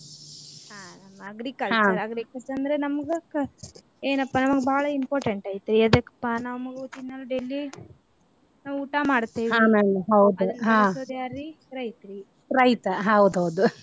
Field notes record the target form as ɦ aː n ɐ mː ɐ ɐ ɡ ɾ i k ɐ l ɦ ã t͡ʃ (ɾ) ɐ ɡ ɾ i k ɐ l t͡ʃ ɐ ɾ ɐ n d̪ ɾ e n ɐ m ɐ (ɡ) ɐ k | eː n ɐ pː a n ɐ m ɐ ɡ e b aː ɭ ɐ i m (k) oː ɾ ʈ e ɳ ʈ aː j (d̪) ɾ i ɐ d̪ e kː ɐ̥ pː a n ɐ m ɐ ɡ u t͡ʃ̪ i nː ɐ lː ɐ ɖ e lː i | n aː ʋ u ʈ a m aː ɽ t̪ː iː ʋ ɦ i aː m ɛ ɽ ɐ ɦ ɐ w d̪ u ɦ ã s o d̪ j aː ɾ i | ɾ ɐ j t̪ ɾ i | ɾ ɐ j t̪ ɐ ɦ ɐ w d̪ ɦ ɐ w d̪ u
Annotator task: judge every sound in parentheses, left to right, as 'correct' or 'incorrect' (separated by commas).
correct, correct, incorrect, incorrect